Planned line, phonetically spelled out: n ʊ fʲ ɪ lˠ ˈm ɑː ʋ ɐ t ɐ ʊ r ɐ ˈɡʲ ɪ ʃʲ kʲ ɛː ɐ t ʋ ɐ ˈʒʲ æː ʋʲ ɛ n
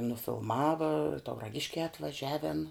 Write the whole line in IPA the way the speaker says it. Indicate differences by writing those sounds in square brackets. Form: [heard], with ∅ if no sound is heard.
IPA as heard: n ʊ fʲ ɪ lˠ ˈm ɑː ʋ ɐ t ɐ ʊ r ɐ ˈɡʲ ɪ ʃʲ kʲ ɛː ɐ t ʋ ɐ ˈʒʲ æː ʋʲ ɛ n